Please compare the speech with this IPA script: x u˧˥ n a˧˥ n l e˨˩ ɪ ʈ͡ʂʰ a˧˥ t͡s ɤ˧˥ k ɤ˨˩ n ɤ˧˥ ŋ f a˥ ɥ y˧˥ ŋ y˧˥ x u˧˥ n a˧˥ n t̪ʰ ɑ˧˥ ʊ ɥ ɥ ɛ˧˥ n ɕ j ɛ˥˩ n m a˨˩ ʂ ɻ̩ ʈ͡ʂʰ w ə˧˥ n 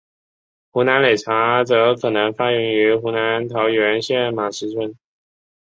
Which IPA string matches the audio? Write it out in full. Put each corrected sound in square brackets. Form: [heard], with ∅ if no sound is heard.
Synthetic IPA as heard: x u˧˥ n a˧˥ n l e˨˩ ɪ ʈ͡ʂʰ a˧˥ t͡s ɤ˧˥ [kʰ] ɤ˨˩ n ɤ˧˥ ŋ f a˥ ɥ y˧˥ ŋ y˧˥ x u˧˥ n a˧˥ n t̪ʰ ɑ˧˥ ʊ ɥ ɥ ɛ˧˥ n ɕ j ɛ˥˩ n m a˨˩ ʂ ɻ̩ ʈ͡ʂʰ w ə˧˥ n